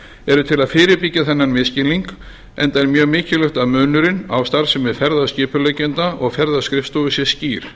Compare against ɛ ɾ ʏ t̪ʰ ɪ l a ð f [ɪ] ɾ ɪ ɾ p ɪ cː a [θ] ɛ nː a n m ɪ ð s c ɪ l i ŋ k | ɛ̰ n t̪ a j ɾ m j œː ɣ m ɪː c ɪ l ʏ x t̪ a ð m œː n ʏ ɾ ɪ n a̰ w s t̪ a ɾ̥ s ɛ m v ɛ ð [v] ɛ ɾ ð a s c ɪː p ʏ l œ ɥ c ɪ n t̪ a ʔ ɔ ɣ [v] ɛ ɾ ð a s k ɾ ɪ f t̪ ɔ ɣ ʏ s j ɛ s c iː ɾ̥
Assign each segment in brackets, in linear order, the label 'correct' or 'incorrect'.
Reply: incorrect, correct, incorrect, incorrect

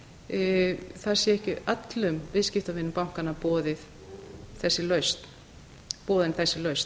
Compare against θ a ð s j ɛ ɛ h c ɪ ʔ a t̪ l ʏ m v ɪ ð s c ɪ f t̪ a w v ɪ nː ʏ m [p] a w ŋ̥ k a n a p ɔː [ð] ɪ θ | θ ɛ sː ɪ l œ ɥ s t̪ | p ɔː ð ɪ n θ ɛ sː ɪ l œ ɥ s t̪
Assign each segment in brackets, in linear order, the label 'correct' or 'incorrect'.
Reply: correct, correct

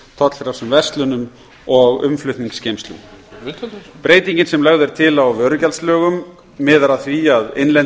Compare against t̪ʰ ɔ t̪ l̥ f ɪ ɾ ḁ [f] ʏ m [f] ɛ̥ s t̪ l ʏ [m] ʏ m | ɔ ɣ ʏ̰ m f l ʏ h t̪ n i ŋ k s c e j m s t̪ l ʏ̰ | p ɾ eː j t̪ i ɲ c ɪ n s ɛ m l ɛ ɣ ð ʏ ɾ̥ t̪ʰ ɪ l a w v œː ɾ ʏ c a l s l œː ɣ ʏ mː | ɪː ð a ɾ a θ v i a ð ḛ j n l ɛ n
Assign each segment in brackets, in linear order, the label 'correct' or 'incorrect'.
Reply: incorrect, incorrect, incorrect

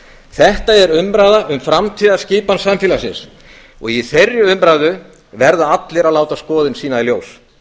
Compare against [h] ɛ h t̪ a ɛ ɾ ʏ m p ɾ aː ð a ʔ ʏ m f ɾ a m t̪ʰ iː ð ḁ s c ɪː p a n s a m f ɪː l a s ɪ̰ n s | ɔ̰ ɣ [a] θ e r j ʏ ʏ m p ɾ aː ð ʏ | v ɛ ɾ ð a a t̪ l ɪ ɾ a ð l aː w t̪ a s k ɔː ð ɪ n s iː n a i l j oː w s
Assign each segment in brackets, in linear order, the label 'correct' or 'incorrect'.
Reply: incorrect, incorrect

